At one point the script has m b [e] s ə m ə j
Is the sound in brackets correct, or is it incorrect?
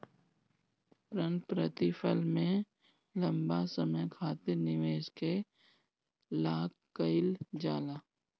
incorrect: a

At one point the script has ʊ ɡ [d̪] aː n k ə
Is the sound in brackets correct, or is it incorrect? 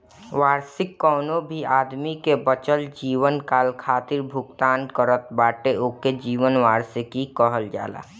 incorrect: t̪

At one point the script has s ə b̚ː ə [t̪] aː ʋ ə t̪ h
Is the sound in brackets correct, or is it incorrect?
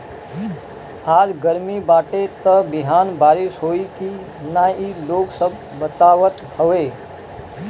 correct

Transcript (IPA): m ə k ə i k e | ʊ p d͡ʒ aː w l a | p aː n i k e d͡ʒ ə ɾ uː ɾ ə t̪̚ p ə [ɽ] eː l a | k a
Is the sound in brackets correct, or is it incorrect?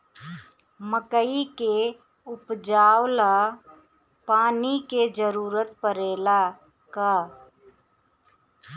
incorrect: ɾ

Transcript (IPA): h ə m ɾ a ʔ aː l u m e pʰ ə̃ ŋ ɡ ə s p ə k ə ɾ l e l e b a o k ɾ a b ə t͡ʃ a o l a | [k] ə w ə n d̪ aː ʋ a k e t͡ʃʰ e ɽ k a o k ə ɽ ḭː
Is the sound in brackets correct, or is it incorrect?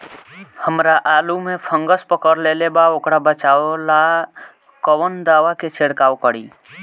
correct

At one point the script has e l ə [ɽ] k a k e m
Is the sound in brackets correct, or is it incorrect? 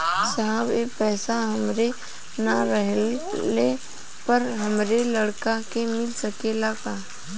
correct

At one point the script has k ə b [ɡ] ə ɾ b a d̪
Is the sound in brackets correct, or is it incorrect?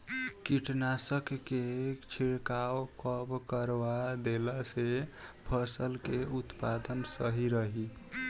incorrect: k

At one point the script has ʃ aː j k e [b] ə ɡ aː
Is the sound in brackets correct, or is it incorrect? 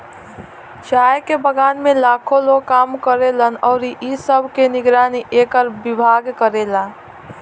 correct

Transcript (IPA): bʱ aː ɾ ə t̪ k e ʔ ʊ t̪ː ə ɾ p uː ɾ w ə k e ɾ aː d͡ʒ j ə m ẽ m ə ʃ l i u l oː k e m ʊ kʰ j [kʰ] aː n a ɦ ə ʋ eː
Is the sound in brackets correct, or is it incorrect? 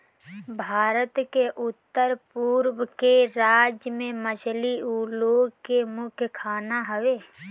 correct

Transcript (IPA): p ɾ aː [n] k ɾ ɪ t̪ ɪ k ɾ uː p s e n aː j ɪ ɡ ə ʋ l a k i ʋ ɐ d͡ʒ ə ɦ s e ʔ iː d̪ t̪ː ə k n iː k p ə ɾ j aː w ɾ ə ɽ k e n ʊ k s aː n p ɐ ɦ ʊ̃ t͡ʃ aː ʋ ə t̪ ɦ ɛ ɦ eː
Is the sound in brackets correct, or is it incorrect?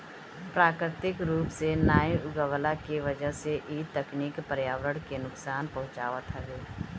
incorrect: none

